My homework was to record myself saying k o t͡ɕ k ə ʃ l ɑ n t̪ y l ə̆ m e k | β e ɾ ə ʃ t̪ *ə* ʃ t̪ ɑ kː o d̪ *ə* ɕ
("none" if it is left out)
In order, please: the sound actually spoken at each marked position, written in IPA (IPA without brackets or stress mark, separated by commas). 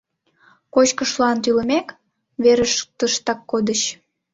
ə, ə